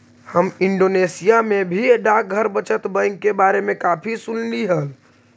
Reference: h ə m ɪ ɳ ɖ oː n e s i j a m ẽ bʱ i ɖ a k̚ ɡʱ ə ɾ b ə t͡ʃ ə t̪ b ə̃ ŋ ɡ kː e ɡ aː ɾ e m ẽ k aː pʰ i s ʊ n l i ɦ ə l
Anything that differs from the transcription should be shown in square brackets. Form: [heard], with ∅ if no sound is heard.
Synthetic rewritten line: h ə m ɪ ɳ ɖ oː n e s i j a m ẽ bʱ i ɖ a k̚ ɡʱ ə ɾ b ə t͡ʃ ə t̪ b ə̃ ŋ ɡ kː e [b] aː ɾ e m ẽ k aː pʰ i s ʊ n l i ɦ ə l